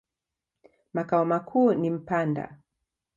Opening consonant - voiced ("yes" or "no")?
yes